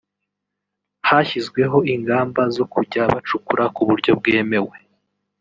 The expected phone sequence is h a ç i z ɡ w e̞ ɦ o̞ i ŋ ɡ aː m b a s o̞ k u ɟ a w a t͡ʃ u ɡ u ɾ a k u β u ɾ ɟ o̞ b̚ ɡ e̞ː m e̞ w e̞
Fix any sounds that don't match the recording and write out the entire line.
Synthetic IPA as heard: h a ç i z ɡ w e̞ ɦ o̞ i ŋ ɡ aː m b a z o̞ k u ɟ a β a t͡ʃ u k u ɾ a k u β u ɾ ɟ o̞ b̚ ɡ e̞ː m e̞ w e̞